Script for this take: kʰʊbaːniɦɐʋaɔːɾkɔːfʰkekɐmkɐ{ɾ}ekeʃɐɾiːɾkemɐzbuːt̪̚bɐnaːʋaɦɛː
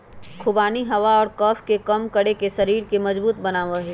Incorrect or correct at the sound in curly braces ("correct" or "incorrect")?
incorrect